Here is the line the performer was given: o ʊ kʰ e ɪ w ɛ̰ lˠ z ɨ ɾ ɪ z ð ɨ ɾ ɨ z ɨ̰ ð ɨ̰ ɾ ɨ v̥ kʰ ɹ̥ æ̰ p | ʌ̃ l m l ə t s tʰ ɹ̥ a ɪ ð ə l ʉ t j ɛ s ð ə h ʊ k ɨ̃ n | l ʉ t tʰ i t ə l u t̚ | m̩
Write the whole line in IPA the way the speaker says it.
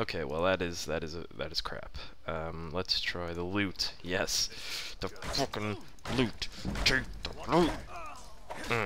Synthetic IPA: o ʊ kʰ e ɪ w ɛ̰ lˠ ð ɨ ɾ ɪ z ð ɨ ɾ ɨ z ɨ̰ ð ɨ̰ ɾ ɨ z̥ kʰ ɹ̥ æ̰ p | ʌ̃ m l ə t s tʰ ɹ̥ a ɪ ð ə l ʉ t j ɛ s ð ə f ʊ k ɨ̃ n | l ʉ t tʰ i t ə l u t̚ | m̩